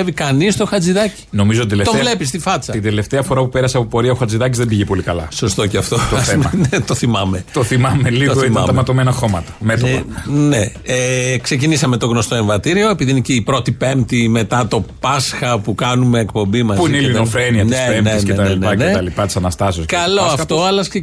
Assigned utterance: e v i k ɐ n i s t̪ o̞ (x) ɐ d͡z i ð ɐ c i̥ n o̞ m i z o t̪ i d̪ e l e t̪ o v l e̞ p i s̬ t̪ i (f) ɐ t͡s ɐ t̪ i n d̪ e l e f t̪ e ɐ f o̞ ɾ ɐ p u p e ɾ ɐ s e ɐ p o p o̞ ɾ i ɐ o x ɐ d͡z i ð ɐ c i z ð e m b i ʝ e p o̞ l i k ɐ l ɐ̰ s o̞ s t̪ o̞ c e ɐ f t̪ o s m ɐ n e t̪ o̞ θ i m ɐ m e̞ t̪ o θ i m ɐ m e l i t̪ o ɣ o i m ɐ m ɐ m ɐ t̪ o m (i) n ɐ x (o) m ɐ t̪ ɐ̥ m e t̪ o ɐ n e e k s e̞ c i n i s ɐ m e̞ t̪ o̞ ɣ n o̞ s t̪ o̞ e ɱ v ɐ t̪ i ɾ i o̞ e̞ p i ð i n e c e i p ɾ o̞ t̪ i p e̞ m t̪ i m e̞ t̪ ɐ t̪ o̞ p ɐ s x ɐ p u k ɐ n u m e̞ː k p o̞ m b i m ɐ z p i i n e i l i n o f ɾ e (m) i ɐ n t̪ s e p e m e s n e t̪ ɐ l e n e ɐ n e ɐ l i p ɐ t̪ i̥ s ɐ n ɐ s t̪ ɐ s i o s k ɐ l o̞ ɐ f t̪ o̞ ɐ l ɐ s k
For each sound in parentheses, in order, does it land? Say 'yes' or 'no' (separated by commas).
yes, yes, no, yes, no